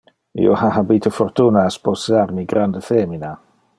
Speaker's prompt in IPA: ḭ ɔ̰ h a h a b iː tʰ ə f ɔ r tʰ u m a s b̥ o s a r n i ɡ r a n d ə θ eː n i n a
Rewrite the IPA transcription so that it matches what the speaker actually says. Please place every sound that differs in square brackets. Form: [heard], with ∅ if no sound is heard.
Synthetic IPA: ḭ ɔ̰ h a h a b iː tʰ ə f ɔ r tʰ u [n] a s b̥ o s a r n i ɡ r a n d ə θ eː [m] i n a